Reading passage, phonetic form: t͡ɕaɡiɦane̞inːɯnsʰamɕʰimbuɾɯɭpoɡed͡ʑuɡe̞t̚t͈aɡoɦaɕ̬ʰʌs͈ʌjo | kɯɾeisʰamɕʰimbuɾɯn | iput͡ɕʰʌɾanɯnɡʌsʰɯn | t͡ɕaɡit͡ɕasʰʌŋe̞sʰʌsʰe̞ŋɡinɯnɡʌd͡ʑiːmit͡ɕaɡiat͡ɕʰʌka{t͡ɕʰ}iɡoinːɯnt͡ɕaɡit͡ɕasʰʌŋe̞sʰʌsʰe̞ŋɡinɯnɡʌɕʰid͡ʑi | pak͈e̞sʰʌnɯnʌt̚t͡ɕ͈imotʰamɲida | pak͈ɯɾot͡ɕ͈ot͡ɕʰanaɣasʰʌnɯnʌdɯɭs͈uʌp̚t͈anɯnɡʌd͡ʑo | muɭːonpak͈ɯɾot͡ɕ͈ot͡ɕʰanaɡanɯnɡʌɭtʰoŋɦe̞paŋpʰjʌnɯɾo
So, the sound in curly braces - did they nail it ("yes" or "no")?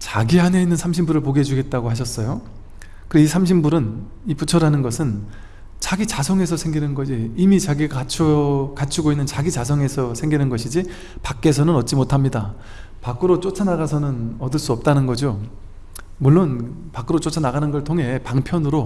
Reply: yes